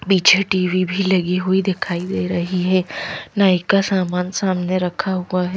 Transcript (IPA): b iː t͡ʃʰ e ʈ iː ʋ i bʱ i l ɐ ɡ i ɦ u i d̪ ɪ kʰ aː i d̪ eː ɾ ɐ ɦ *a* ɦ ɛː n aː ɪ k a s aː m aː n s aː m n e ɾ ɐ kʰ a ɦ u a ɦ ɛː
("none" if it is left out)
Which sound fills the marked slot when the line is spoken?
i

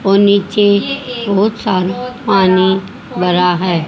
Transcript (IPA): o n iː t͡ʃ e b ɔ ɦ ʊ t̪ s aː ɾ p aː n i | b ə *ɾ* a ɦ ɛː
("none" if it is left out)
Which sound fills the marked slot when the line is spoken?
ɾ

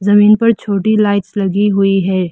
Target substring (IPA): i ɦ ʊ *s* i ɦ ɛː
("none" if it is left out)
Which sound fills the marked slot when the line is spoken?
none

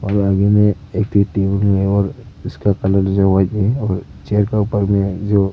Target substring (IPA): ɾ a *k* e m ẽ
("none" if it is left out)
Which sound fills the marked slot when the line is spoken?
ɡ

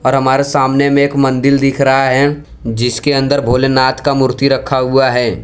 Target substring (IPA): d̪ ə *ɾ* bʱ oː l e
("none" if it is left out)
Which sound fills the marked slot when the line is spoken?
ɾ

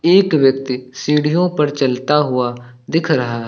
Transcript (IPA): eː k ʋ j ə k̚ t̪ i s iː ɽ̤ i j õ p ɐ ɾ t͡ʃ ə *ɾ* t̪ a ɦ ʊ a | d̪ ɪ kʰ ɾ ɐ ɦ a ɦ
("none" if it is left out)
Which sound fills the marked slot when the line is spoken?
l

